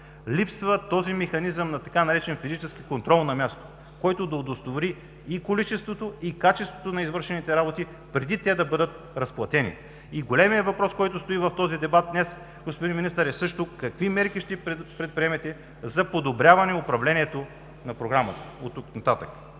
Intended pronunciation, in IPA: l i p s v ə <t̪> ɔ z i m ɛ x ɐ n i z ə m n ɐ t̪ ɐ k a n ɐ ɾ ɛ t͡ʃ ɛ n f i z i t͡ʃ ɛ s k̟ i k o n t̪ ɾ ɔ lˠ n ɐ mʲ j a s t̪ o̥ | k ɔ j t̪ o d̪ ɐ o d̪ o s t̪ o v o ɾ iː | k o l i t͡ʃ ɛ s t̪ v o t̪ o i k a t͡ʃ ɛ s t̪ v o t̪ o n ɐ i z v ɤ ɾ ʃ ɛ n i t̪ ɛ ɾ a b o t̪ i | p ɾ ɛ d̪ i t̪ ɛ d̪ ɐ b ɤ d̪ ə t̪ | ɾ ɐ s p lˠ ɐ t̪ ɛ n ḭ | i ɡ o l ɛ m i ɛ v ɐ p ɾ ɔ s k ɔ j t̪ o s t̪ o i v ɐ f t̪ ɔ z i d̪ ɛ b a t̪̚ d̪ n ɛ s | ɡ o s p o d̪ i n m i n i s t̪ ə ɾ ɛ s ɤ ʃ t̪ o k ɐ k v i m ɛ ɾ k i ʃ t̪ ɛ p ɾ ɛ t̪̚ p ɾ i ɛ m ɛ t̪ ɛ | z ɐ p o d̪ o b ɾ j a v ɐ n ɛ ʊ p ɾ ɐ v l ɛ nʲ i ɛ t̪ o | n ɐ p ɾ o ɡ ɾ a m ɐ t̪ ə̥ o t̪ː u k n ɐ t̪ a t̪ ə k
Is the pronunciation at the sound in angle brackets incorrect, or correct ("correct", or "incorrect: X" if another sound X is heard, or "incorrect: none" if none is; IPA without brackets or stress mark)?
correct